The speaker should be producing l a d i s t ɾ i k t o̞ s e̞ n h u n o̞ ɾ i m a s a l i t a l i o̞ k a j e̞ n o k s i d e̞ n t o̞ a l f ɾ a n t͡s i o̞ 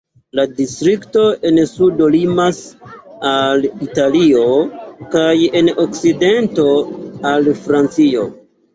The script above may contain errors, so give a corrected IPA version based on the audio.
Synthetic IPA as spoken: l a d i s t ɾ i k t o̞ e̞ n s u d o̞ l i m a s a l i t a l i o̞ k a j e̞ n o k s i d e̞ n t o̞ a l f ɾ a n t͡s i o̞